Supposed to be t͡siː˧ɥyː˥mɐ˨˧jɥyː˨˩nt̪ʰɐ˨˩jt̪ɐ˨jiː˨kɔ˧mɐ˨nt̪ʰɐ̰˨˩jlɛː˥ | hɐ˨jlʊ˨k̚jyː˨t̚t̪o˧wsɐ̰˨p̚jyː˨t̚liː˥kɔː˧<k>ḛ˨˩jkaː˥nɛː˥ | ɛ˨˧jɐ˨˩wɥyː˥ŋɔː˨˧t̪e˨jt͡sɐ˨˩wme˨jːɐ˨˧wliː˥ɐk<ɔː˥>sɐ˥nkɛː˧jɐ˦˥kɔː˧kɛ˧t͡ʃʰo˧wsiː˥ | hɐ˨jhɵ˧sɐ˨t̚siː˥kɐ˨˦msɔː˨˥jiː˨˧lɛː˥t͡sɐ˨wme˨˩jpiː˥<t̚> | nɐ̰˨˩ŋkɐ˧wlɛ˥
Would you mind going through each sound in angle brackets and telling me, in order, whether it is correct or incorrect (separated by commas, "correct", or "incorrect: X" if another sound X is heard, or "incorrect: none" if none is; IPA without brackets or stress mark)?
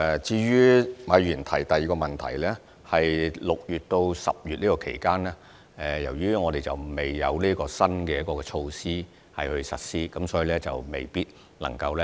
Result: incorrect: kʰ, incorrect: ɔː˧, correct